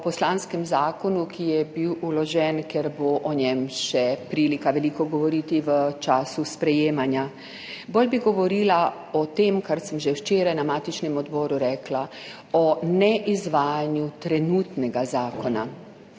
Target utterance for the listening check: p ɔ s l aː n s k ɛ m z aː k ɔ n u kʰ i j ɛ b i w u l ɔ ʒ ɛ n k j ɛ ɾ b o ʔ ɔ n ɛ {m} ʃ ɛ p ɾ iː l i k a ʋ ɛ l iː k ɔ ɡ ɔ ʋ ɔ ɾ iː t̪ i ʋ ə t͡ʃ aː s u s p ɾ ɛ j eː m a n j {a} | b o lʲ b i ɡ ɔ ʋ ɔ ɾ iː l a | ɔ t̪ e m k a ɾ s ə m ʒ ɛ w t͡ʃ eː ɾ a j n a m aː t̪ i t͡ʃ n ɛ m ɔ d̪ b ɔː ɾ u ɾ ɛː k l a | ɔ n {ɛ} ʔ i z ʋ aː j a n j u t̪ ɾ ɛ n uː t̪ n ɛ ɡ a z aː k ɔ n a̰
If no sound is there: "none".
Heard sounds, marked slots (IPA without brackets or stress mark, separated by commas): m, a, ɛ